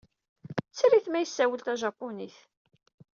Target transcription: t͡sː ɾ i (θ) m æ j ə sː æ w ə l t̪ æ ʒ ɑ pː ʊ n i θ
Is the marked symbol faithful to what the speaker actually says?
yes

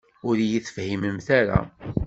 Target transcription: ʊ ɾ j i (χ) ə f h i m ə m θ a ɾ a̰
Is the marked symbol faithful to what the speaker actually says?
no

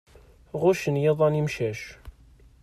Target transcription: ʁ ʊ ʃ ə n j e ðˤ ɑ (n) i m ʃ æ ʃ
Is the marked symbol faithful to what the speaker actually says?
yes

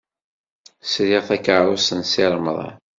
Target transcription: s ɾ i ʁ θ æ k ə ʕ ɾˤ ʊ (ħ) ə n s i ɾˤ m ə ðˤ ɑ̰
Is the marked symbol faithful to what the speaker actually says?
no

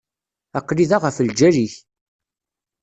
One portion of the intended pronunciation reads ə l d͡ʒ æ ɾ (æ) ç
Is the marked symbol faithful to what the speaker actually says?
no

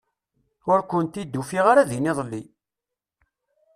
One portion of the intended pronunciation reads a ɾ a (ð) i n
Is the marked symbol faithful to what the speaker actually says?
yes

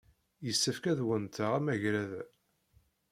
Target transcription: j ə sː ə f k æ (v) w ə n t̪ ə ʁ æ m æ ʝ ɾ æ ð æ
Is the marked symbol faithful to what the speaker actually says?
no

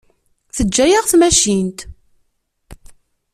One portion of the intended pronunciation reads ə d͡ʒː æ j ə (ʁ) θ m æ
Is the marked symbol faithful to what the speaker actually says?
yes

